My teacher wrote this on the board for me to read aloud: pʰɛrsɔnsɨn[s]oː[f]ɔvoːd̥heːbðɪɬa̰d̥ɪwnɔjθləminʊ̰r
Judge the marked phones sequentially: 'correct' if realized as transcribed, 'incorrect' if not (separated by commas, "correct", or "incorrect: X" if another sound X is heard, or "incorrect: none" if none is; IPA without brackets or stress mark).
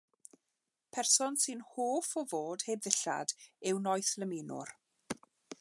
incorrect: h, correct